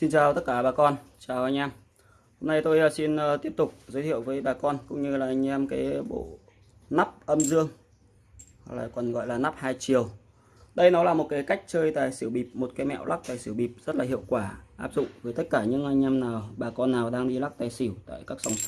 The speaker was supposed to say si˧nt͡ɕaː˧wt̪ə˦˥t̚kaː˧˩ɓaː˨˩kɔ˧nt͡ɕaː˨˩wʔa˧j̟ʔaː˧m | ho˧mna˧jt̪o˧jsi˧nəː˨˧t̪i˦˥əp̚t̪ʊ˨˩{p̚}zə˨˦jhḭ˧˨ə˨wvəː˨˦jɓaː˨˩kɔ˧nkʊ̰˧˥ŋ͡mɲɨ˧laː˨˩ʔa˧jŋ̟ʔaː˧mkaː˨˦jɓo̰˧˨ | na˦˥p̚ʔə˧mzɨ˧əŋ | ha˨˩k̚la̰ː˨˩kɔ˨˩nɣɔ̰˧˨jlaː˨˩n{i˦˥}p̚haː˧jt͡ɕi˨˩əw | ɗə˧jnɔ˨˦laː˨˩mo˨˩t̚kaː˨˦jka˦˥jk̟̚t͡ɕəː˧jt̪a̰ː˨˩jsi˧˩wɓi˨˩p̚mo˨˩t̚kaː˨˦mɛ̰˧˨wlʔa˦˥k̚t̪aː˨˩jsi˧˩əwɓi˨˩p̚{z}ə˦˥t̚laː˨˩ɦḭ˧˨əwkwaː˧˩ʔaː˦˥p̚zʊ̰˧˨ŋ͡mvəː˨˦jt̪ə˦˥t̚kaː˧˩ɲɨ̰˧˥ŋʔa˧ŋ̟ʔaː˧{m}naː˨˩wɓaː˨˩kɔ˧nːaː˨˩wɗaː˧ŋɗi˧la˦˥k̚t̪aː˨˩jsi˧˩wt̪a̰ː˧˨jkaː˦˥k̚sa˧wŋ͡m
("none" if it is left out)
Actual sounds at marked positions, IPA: k͡p̚, a˦˥, z, m

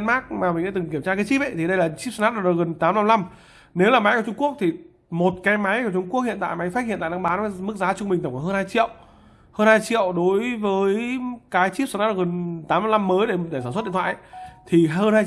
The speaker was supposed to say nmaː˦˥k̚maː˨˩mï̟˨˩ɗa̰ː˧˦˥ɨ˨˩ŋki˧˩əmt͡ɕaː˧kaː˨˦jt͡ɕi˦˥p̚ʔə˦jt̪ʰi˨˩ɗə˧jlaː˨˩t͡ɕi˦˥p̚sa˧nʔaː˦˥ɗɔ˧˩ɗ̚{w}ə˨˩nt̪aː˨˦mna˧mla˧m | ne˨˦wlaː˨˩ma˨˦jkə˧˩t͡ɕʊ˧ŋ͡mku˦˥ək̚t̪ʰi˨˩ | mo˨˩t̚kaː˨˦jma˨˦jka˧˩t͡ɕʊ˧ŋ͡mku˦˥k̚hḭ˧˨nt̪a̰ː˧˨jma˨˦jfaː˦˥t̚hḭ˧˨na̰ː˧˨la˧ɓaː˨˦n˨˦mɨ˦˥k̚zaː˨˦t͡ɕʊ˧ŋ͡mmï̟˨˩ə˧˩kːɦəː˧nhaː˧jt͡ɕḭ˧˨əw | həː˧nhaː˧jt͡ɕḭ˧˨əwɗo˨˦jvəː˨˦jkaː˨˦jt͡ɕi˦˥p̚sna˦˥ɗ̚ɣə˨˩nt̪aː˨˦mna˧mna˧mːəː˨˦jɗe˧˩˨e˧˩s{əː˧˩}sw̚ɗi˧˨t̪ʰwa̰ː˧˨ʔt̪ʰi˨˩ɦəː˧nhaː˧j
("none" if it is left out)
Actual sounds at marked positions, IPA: ɣ, aː˧˩

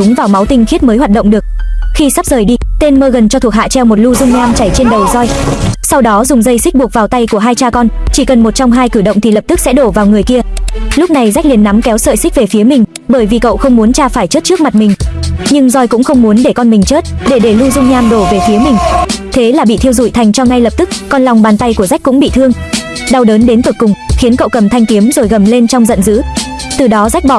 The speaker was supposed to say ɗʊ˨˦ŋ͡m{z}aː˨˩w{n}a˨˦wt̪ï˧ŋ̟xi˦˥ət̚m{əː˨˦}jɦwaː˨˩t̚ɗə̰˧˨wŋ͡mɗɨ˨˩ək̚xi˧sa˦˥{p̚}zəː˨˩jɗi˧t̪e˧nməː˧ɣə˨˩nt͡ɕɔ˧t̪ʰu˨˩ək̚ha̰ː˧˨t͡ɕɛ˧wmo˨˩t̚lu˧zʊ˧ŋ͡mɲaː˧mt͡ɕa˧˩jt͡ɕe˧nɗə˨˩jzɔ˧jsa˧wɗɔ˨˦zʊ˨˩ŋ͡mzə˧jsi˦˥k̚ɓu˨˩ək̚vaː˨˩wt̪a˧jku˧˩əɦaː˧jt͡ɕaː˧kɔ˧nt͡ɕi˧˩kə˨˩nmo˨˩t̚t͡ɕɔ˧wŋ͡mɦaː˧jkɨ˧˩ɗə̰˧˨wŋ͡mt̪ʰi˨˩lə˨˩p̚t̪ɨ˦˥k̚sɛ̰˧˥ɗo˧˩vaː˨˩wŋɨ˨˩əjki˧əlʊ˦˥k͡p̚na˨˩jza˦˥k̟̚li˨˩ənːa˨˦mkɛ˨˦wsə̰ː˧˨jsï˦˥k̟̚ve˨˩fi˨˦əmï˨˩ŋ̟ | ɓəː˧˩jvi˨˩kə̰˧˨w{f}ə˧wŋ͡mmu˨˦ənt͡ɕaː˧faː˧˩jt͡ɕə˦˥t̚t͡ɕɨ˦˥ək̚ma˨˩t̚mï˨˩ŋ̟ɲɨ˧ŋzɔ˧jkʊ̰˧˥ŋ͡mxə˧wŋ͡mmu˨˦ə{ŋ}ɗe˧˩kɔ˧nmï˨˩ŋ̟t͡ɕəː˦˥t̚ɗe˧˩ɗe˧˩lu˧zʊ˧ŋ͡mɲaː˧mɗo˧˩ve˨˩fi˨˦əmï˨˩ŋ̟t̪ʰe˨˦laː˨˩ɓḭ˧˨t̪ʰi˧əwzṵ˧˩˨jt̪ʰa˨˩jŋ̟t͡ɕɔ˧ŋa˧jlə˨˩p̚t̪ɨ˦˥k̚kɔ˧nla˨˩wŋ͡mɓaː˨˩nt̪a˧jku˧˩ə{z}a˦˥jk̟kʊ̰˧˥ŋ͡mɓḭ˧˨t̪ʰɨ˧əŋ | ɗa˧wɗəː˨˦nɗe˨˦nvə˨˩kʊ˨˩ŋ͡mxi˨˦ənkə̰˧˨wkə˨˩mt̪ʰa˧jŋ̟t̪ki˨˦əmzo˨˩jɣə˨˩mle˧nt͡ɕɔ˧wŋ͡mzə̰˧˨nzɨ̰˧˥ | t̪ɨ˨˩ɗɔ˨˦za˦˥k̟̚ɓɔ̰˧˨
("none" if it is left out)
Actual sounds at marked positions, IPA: v, m, əː˨˦, p̚, x, n, z

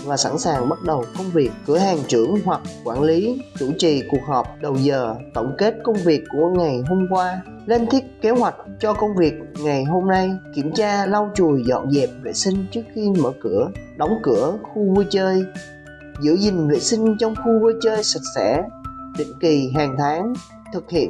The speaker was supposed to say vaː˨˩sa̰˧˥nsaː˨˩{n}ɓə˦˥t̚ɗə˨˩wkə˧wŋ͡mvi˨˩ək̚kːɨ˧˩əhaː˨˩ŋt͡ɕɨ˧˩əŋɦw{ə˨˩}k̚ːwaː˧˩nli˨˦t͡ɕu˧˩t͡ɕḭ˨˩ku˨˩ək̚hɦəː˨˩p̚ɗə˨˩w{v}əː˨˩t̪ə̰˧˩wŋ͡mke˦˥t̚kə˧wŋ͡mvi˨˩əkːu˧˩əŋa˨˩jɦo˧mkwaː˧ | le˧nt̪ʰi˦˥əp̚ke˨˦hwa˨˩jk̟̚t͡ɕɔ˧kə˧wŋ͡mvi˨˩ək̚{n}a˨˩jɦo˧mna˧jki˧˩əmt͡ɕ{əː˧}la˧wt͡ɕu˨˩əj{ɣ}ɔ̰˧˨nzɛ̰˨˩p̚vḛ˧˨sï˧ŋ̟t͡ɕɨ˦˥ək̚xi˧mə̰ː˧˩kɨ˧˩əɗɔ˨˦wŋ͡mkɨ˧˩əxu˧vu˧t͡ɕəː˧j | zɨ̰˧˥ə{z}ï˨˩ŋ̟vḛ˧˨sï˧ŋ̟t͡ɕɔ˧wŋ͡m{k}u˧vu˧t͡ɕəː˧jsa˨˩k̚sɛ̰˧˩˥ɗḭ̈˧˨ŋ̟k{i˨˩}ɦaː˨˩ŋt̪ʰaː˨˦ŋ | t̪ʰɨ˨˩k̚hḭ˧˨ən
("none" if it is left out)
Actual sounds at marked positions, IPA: ŋ, a˨˩, z, ŋ, aː˧, z, z, x, i˨˩

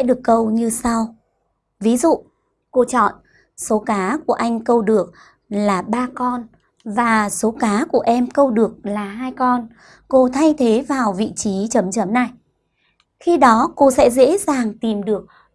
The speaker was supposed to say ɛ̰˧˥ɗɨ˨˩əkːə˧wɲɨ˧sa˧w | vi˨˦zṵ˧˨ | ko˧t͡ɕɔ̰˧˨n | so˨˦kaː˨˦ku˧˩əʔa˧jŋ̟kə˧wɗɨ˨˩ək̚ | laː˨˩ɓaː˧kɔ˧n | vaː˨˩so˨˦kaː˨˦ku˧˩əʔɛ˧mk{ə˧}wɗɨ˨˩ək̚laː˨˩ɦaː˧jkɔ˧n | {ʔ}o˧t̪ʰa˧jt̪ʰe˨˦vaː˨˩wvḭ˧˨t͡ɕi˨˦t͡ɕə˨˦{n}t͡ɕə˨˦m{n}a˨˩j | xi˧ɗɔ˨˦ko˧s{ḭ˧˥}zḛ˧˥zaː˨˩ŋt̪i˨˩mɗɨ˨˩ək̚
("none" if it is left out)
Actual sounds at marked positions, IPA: ə˧, k, m, n, ɛ̰˧˥

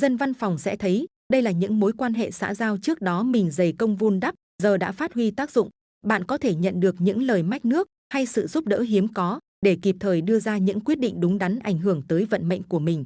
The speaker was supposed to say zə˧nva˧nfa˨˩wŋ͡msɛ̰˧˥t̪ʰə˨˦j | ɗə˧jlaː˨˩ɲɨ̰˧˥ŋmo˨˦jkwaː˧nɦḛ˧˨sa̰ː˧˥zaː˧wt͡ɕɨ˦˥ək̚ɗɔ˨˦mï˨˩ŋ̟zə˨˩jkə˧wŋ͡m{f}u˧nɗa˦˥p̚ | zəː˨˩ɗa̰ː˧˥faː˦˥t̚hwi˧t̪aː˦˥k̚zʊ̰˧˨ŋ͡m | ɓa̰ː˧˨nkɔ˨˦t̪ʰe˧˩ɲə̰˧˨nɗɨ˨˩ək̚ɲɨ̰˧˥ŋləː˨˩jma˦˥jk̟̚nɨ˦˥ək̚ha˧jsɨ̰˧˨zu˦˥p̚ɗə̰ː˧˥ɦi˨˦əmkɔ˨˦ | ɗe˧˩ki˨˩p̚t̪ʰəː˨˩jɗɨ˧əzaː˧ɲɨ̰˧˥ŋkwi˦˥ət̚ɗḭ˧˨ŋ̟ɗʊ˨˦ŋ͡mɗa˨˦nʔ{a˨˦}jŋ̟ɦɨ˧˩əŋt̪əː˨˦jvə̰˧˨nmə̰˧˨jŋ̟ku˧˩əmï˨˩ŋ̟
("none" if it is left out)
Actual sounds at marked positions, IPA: v, a˧˩

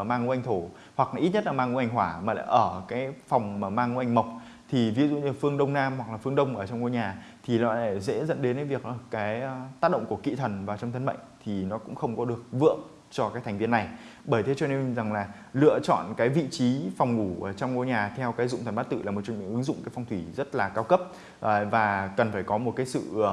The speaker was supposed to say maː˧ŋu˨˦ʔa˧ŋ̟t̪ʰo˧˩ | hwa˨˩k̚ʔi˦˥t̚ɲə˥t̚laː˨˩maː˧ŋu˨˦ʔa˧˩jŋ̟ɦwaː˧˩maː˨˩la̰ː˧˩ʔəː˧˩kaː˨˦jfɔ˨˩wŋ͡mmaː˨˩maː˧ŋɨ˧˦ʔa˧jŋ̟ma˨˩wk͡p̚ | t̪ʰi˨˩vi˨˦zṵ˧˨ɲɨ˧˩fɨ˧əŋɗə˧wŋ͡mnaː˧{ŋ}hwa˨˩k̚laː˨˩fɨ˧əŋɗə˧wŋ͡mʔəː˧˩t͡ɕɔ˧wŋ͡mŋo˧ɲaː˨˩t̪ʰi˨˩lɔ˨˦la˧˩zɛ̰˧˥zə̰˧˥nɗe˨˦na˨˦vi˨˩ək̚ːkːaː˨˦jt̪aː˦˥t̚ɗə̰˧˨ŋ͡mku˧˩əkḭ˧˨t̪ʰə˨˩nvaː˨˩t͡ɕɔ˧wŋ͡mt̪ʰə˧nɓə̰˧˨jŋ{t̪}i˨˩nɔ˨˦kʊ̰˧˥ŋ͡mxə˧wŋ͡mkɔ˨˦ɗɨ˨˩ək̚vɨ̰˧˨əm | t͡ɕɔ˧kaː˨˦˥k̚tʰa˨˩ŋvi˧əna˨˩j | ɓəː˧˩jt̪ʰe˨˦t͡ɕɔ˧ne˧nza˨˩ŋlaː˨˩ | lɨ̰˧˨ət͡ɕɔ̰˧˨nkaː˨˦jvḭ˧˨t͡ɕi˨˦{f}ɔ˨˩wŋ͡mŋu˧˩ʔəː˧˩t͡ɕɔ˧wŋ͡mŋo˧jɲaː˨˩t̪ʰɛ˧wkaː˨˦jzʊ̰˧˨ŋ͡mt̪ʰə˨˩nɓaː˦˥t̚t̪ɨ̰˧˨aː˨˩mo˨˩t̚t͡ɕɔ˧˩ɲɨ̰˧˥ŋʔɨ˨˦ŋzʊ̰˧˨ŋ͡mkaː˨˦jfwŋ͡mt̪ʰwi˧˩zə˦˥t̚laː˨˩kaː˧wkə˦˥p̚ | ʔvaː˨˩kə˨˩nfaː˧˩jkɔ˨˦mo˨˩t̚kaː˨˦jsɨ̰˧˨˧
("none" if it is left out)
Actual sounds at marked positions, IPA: m, t̪ʰ, f

